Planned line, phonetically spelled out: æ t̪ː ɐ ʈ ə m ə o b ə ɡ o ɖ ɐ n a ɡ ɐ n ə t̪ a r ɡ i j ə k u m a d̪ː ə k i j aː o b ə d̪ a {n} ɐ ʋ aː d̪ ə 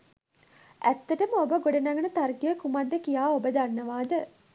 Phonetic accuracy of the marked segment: incorrect: nː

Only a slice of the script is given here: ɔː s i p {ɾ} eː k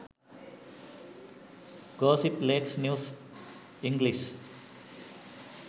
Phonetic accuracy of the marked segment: incorrect: l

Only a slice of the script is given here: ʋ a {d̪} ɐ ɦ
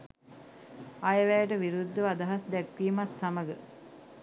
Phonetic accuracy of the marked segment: correct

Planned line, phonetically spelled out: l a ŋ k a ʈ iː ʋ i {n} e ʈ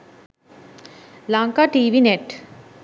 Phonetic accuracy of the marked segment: correct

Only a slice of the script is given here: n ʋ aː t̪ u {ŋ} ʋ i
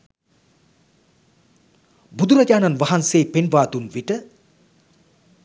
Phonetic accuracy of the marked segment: incorrect: n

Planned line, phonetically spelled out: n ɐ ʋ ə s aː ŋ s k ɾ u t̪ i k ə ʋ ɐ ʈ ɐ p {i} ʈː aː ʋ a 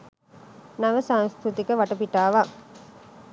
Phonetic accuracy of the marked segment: correct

